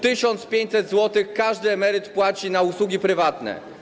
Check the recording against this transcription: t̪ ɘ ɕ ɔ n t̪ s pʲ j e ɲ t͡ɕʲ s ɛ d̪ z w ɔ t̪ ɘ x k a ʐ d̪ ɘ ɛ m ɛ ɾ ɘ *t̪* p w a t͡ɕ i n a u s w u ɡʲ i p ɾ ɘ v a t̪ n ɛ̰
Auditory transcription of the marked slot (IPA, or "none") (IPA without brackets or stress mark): t̪